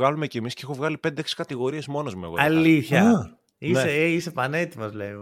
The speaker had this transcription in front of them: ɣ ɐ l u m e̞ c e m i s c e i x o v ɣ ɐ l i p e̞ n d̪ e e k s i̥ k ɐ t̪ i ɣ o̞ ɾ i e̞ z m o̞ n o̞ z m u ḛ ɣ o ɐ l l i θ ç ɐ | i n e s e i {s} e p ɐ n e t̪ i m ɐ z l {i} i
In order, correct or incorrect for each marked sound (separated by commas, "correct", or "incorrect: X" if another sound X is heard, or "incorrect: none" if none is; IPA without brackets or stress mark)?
correct, incorrect: e